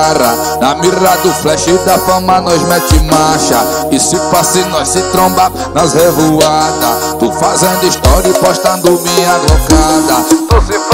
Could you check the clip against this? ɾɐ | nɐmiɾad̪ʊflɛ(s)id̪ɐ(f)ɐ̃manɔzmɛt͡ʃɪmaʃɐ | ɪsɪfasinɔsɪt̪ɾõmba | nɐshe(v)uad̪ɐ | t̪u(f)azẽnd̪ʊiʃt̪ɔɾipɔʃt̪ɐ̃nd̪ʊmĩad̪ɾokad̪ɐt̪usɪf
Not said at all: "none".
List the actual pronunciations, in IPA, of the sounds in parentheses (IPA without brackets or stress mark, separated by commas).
ʃ, f, v, f